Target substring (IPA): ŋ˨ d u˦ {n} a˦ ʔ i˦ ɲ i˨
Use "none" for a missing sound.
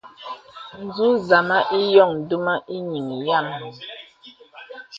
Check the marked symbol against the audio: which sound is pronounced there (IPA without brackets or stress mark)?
m